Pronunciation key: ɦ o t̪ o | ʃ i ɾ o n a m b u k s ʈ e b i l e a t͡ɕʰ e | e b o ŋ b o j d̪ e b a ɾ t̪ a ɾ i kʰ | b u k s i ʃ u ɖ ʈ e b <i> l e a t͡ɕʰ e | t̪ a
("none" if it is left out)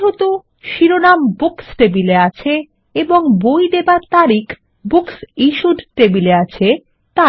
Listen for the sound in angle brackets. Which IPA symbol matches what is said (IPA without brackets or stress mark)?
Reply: i